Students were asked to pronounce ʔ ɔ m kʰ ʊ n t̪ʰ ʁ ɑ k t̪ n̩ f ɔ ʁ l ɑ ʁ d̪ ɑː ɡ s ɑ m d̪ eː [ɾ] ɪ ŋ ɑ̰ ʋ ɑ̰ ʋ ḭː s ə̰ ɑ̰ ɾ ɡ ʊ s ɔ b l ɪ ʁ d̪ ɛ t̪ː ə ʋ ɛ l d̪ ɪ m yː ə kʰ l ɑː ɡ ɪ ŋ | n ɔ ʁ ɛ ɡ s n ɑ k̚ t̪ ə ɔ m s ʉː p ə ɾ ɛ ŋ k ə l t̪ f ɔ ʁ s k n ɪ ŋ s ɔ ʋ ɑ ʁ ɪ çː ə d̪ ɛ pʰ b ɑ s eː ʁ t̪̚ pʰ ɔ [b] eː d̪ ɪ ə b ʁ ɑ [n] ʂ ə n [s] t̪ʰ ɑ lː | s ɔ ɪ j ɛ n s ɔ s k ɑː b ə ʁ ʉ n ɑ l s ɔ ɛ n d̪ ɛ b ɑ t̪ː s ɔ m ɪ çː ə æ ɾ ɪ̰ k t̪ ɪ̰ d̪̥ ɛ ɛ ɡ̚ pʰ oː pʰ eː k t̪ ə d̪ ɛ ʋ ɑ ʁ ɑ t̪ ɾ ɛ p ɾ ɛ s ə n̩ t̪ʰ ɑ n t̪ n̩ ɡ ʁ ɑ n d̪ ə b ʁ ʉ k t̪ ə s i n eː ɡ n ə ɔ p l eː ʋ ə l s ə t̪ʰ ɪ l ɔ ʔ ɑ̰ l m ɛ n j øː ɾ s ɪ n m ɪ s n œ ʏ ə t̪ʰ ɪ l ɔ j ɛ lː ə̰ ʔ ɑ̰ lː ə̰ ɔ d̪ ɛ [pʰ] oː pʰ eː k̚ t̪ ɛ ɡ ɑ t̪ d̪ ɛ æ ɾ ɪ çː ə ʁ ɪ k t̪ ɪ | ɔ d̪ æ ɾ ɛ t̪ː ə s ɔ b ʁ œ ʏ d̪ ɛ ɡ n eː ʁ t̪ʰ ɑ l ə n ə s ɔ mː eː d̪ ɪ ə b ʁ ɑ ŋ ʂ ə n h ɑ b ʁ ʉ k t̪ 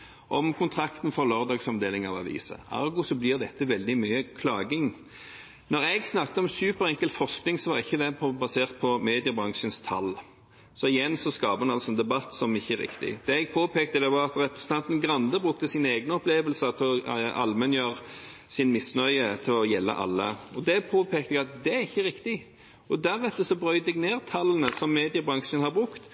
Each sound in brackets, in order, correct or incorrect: incorrect: l, incorrect: m, incorrect: ŋ, correct, correct

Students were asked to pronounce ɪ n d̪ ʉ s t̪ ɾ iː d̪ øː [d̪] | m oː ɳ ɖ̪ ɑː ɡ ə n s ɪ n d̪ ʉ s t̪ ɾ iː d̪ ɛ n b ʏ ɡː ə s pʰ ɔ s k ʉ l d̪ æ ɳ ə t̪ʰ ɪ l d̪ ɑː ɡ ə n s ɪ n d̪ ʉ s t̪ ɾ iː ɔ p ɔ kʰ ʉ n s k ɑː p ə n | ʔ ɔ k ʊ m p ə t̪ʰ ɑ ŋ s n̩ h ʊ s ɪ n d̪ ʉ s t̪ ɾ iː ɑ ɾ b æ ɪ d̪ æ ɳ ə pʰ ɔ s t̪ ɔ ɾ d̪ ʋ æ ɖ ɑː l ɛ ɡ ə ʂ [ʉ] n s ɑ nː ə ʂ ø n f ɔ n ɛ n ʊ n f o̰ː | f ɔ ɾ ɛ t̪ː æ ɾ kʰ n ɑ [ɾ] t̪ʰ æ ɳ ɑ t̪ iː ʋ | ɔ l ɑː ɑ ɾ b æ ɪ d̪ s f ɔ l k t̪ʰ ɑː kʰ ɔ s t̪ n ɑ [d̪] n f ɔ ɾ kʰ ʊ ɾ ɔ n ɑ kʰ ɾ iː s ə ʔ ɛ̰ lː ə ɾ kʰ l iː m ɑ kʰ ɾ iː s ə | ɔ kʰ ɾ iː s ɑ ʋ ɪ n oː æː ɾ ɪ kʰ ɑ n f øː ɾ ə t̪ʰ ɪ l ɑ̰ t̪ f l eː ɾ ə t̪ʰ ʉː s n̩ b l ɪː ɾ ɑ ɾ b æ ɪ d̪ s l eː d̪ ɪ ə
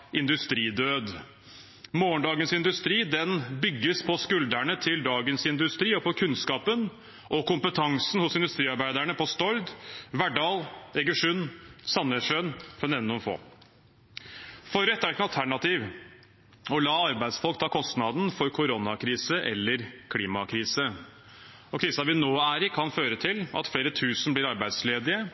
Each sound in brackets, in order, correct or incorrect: correct, correct, incorrect: l, correct

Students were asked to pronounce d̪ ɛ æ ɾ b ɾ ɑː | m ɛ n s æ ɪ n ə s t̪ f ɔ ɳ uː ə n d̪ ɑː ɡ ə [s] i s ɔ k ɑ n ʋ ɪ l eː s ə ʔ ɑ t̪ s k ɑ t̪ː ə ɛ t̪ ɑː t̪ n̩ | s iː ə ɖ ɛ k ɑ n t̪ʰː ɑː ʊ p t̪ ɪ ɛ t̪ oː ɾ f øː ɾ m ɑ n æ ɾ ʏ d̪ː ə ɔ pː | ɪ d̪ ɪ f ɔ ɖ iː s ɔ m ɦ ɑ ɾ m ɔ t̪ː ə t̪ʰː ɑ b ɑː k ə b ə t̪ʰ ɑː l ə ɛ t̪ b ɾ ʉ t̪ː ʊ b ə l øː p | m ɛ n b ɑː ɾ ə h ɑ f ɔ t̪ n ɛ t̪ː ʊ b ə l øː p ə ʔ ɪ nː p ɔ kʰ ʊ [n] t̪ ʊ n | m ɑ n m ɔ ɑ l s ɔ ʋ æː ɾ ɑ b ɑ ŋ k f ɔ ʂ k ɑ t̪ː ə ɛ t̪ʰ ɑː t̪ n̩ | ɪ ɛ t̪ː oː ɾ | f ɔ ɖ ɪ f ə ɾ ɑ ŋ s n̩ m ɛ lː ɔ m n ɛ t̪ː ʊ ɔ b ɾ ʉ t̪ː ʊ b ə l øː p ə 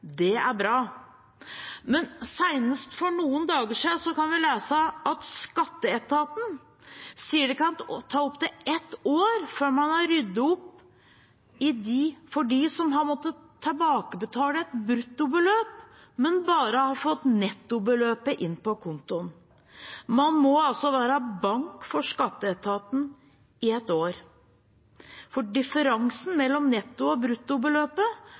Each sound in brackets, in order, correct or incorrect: incorrect: ʂ, correct

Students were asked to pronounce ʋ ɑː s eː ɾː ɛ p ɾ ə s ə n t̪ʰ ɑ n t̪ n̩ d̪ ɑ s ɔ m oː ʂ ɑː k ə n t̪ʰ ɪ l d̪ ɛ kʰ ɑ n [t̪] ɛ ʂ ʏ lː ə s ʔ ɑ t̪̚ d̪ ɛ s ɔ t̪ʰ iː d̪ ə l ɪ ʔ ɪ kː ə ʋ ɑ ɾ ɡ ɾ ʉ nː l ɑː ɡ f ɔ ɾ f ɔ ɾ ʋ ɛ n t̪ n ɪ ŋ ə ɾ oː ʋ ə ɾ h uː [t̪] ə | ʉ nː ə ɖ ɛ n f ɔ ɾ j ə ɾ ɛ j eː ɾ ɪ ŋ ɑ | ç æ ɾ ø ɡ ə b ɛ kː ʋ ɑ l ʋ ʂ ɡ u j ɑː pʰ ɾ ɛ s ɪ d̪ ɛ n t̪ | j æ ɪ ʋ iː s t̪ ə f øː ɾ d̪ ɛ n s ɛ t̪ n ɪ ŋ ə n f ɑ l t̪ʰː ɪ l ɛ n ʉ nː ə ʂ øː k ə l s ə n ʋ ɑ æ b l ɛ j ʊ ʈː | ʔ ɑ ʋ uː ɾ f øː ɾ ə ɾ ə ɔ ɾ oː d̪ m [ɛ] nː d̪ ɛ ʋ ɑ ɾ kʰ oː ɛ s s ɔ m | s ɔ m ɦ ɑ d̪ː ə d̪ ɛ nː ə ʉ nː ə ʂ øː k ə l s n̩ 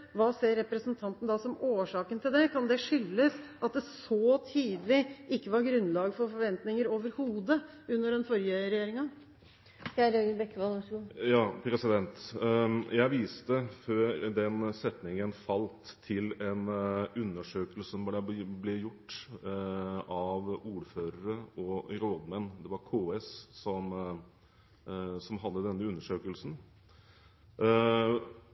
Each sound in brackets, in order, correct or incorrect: incorrect: d̪, incorrect: d̪, correct

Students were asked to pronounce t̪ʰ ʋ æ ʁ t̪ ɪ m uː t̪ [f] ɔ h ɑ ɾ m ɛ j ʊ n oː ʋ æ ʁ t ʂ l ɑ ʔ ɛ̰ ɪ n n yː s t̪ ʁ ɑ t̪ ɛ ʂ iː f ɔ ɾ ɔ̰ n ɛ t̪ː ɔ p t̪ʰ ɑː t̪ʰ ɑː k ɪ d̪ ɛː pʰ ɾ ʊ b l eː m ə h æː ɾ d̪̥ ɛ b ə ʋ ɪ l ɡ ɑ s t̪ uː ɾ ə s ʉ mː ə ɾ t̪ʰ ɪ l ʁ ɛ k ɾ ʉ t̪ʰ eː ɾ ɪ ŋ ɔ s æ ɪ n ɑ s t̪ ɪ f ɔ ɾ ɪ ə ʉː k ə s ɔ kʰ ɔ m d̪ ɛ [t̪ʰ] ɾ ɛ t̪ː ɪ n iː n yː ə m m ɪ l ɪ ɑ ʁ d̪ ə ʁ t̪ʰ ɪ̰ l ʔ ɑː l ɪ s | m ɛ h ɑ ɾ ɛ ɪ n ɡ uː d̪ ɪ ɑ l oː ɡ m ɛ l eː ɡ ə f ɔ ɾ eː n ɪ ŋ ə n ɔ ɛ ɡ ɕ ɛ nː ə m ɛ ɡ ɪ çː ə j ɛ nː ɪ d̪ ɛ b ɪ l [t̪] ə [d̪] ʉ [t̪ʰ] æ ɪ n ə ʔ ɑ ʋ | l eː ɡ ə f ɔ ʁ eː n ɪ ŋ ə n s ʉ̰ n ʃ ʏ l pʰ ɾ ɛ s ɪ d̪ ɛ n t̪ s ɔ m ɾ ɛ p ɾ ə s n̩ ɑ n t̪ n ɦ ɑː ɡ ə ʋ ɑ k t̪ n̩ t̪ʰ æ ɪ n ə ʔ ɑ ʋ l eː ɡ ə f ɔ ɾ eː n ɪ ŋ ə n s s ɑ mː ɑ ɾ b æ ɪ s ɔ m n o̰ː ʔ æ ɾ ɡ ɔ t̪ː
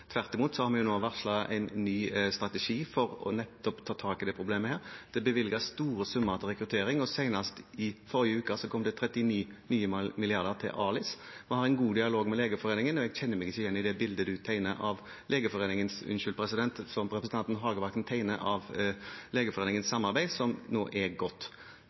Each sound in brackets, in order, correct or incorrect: incorrect: s, correct, incorrect: d̪, correct, correct

